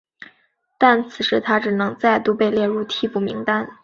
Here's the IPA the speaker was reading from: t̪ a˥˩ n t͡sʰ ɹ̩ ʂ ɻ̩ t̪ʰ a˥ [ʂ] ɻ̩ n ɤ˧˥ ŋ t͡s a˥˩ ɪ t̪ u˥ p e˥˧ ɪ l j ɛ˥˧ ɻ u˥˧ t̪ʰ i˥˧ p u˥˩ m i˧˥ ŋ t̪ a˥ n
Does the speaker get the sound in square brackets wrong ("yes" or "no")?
yes